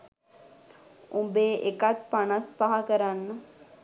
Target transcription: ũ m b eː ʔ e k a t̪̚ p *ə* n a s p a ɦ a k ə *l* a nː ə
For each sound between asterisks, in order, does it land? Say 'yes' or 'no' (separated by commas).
no, no